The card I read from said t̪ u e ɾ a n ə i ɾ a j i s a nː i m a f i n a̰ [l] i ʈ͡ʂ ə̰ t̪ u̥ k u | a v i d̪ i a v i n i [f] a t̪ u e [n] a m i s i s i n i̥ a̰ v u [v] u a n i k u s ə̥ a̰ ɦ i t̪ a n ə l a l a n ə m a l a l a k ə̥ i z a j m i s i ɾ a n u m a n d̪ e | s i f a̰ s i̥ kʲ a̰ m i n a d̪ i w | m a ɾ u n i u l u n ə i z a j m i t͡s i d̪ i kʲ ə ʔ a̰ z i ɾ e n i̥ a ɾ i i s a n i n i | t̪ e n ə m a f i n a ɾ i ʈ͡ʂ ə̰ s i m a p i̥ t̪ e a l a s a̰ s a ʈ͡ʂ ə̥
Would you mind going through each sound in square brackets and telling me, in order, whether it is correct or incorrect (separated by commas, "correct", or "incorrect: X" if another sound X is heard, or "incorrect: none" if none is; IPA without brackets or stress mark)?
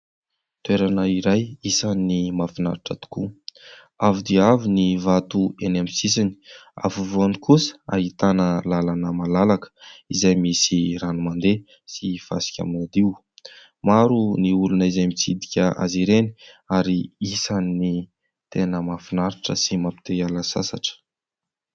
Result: incorrect: ɾ, incorrect: v, correct, correct